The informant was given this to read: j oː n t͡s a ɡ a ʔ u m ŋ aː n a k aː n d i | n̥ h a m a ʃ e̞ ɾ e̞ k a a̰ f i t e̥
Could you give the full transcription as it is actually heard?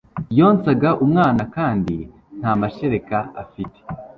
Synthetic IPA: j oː n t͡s a ɡ a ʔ u m ŋ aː n a k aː n d i | n̥ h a m a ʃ e̞ ɾ e̞ k a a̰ f i t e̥

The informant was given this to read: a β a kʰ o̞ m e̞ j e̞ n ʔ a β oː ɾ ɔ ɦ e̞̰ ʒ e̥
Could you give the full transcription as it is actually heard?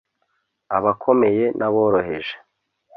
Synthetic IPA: a β a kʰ o̞ m e̞ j e̞ n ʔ a β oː ɾ o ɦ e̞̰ ʒ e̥

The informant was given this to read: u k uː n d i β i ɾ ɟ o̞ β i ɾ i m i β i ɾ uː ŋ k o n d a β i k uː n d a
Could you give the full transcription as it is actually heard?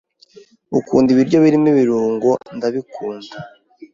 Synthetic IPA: u k uː n d i β i ɾ ɟ o̞ β i ɾ i m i β i ɾ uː ŋ ɡ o n d a β i k uː n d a

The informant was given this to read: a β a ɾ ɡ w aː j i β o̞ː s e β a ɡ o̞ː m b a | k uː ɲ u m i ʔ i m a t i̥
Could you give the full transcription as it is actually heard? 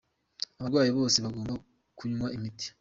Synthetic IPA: a β a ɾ ɡ w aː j i β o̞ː s e β a ɡ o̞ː m b a | k u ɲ u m a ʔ i m i t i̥

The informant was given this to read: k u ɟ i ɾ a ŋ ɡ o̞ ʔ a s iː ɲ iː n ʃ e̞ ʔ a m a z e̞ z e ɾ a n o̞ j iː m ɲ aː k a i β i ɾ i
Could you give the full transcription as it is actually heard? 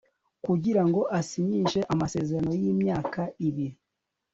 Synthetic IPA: k u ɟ i ɾ a ŋ ɡ o̞ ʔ a s i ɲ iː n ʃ e̞ ʔ a m a s e̞ z e ɾ a n o̞ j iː m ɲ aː k a i β i ɾ i

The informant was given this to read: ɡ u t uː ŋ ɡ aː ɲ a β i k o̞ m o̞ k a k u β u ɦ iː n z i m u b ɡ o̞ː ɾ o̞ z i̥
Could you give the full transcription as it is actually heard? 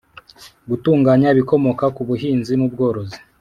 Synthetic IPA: ɡ u t uː ŋ ɡ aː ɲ a β i k o̞ m o̞ k a k u β u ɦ iː n z i m u b ɡ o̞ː ɾ o̞ z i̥

